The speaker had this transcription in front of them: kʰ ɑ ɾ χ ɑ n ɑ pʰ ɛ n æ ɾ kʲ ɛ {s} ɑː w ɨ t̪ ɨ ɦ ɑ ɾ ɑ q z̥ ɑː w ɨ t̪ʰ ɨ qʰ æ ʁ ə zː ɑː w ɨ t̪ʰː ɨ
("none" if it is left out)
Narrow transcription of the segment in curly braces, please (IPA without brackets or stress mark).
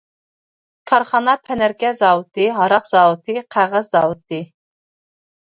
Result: z